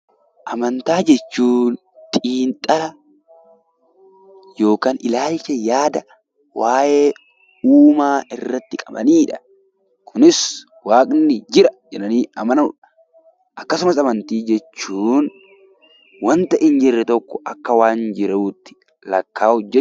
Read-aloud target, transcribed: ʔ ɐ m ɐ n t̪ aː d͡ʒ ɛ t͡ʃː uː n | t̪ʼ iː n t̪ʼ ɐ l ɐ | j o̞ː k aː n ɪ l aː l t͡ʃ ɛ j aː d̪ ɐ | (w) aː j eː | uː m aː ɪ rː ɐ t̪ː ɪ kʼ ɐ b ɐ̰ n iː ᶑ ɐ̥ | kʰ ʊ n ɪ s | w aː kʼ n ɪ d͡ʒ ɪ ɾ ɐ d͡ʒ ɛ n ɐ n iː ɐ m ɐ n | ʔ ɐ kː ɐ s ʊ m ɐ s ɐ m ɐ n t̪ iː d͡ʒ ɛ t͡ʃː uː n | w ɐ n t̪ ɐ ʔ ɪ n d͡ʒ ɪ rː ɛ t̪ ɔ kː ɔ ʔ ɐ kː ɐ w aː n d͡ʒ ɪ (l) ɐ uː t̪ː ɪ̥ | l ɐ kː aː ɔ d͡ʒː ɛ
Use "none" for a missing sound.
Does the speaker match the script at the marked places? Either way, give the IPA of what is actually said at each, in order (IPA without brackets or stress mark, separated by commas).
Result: w, ɾ